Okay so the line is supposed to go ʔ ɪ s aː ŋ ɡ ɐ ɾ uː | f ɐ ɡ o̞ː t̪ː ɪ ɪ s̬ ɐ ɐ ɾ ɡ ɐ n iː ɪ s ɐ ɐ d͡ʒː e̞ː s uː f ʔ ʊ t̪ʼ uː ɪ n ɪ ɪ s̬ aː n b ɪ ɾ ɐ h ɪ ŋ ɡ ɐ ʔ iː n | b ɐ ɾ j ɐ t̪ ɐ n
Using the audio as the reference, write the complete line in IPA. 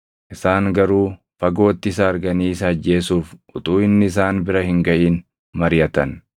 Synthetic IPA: ʔ ɪ s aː ŋ ɡ ɐ ɾ uː | f ɐ ɡ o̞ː t̪ː ɪ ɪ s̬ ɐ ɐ ɾ ɡ ɐ n iː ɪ s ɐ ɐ d͡ʒː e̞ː s uː f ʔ ʊ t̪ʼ uː ɪ nː ɪ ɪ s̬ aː n b ɪ ɾ ɐ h ɪ ŋ ɡ ɐ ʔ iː n | m ɐ ɾ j ɐ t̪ ɐ n

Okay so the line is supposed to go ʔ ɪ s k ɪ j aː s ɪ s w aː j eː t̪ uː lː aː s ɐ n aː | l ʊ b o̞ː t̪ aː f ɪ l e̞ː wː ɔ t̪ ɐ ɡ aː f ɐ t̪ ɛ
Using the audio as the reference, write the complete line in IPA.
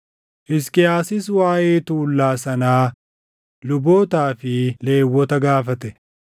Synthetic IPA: ʔ ɪ s k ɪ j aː s ɪ s w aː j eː t̪ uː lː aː s ɐ n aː | l ʊ b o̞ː t̪ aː f ɪ l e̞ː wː ɔ t̪ ɐ ɡ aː f ɐ t̪ ɛ

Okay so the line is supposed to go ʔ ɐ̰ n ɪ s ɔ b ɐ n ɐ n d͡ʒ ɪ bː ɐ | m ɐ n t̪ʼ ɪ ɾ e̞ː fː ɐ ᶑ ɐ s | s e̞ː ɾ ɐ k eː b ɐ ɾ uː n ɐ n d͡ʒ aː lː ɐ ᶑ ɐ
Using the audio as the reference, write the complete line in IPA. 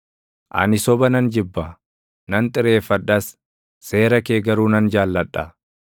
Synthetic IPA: ʔ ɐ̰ n ɪ s ɔ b ɐ n ɐ n d͡ʒ ɪ bː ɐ | n ɐ n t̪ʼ ɪ ɾ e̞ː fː ɐ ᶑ ɐ s | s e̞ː ɾ ɐ k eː ɡ ɐ ɾ uː n ɐ n d͡ʒ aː lː ɐ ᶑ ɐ

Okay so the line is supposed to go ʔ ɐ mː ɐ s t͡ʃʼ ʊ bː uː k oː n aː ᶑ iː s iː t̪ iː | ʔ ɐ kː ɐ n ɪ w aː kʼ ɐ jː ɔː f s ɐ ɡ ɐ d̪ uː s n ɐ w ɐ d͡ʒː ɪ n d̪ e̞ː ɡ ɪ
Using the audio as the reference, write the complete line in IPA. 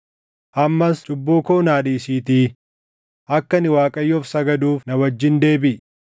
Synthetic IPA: ʔ ɐ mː ɐ s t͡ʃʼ ʊ bː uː k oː n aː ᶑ iː s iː t̪ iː | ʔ ɐ kː ɐ n ɪ w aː kʼ ɐ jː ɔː f s ɐ ɡ ɐ d̪ uː f n ɐ w ɐ d͡ʒː ɪ n d̪ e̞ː b ɪ

